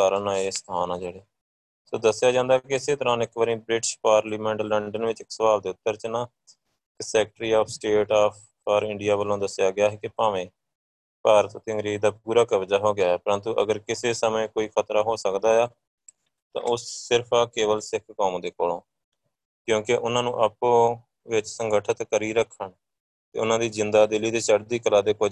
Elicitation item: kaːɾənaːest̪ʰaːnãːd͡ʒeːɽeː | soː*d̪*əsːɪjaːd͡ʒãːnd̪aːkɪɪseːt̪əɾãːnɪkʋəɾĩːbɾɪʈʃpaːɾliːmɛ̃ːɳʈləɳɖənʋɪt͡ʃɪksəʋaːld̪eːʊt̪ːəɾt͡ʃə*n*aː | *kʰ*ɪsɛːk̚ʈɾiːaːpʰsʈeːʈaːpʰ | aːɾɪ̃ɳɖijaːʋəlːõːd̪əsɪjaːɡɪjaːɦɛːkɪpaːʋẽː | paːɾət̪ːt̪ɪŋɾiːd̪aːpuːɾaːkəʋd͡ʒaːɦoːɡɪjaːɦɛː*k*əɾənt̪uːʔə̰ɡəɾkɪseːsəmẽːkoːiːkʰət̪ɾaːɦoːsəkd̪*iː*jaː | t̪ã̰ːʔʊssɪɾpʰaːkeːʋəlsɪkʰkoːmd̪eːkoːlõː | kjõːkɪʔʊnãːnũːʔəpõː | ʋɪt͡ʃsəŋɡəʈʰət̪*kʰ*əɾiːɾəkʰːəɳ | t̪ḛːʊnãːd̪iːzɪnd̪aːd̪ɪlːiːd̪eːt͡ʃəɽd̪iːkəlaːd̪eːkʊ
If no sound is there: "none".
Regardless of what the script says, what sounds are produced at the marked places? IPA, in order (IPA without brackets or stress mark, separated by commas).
d̪, n, k, p, aː, k